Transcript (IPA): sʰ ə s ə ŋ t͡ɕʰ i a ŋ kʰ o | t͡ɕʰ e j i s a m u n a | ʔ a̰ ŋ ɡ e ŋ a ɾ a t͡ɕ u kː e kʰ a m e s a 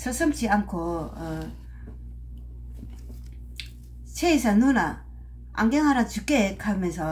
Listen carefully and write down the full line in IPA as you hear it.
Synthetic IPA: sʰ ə s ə m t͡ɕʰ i a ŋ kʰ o | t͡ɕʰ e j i s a n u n a | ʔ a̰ ŋ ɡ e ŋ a ɾ a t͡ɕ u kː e kʰ a m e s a